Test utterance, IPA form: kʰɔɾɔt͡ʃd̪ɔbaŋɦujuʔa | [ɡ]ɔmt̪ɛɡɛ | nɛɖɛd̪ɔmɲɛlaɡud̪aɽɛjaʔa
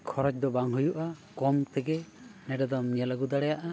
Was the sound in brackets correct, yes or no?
no